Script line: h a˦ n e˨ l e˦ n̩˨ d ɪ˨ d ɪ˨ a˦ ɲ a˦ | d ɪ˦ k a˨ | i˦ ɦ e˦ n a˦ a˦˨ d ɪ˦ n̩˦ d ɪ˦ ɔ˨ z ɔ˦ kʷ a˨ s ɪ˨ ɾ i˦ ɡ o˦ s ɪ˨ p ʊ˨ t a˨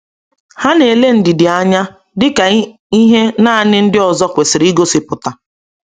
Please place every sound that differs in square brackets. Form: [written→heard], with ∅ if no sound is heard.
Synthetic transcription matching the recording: h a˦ n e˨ l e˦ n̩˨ d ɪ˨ d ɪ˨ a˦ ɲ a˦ | d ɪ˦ k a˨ | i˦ ɦ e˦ n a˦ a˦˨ [d→n] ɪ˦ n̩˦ d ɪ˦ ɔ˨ z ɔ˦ kʷ [a˨→e˨] s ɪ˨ ɾ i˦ ɡ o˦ s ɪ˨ p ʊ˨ t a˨